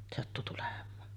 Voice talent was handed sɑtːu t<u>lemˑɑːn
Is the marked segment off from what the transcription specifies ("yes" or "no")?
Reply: no